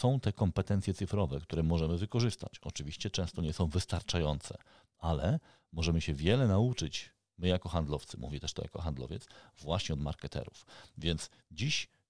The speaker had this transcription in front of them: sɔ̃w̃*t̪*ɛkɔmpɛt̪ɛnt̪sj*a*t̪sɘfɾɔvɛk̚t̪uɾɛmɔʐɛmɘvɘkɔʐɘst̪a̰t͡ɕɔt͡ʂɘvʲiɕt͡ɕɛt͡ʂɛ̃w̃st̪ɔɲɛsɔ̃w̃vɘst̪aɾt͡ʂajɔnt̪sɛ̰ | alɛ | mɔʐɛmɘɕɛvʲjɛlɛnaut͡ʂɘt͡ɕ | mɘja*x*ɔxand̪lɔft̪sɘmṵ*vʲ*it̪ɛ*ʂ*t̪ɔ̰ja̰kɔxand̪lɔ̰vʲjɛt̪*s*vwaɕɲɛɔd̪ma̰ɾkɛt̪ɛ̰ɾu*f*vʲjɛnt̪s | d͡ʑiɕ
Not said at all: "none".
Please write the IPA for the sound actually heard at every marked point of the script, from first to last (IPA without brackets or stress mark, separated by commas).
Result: t̪, ɛ, k, vʲ, ʂ, s, f